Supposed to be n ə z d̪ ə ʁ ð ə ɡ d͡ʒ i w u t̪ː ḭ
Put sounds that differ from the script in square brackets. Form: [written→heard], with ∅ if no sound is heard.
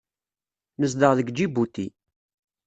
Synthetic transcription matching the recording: n ə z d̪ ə ʁ ð ə ɡ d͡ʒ i [w→b] u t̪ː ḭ